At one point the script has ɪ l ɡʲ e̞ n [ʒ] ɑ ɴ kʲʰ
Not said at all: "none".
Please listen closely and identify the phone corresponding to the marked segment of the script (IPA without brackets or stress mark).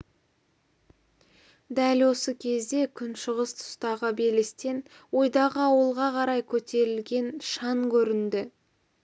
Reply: ʃ